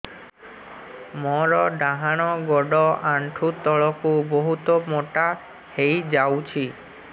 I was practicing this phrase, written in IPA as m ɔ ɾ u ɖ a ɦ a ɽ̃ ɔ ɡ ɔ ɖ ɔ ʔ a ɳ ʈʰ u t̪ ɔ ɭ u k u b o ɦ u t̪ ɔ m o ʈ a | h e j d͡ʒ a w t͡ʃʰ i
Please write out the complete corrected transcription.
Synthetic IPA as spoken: m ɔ ɾ ɔ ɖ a ɦ a ɽ̃ ɔ ɡ ɔ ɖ ɔ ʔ a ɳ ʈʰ u t̪ ɔ ɭ ɔ k u b o ɦ u t̪ ɔ m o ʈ a | h e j d͡ʒ a w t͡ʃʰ i